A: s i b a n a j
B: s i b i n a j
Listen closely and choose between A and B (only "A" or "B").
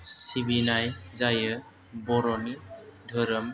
B